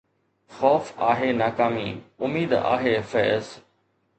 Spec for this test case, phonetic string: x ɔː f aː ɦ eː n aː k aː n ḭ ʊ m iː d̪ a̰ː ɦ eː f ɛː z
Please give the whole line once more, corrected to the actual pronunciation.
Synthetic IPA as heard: x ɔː f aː ɦ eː n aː k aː m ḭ ʊ m iː d̪ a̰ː ɦ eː f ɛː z